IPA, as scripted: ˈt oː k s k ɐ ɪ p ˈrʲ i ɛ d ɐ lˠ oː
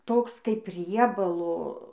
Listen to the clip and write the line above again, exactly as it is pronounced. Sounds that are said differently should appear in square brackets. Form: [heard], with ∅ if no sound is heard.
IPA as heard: ˈt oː k s k ɐ ɪ p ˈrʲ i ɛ [b] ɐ lˠ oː